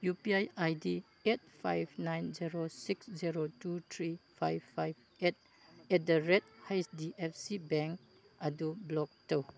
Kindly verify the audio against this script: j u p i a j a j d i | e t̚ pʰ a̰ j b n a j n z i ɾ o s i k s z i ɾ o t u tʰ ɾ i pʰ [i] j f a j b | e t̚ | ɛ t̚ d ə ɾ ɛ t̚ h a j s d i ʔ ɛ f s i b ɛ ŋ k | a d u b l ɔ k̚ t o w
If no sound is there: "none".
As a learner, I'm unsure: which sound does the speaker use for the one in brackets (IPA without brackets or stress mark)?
a